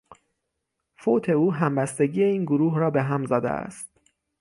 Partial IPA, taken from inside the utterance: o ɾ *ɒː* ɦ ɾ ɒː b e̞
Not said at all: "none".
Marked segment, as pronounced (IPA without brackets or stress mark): uː